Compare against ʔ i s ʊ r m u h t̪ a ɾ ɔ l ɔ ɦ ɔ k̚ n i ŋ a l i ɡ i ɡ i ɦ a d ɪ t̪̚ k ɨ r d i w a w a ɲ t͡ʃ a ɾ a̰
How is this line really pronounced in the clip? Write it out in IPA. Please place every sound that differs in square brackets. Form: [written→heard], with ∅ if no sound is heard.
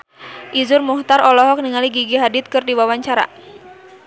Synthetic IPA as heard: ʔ i [s→z] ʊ r m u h t̪ a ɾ ɔ l ɔ ɦ ɔ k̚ n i ŋ a l i ɡ i ɡ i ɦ a d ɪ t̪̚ k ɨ r d i w a w a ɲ t͡ʃ a ɾ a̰